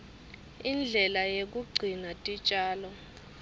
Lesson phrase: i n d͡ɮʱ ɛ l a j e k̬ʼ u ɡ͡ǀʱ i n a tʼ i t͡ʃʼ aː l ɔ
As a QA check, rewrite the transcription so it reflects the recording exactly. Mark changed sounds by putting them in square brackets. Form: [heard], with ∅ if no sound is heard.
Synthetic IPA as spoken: i n d͡ɮʱ ɛ l a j e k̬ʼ u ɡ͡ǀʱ i n a tʼ i t͡ʃʼ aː l ɔ